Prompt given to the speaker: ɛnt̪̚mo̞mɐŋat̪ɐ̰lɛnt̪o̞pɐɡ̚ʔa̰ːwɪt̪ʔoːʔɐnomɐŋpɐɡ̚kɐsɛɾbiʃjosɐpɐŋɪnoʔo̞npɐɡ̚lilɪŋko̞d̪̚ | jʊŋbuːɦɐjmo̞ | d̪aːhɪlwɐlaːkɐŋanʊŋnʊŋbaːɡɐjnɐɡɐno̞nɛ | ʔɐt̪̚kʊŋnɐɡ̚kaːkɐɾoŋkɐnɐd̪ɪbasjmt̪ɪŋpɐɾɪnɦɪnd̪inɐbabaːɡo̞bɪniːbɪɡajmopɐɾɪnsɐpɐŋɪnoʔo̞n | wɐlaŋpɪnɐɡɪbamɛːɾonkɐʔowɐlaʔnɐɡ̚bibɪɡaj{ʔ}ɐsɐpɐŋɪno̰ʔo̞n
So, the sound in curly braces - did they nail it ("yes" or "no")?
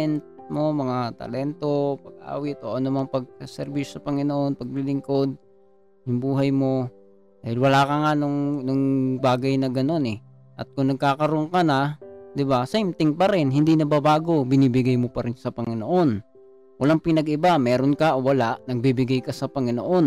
no